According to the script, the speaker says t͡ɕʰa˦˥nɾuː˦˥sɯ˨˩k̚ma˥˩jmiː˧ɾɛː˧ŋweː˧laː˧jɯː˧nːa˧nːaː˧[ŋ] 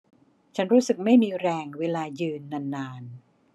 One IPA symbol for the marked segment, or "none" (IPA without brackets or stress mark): n